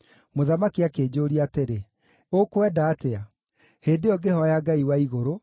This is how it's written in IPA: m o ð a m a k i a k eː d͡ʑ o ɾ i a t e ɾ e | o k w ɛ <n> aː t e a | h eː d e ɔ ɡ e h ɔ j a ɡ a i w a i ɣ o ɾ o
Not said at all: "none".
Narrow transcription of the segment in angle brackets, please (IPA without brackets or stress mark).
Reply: d